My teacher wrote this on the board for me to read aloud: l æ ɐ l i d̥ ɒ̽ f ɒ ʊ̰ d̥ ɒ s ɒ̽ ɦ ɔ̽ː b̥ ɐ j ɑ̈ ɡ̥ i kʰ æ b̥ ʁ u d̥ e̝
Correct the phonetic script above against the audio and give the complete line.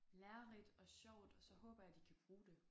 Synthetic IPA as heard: l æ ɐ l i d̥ ɒ̽ ɕ ɒ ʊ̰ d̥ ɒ s ɒ̽ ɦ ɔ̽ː b̥ ɐ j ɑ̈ d̥ i kʰ æ b̥ ʁ uː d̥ e̝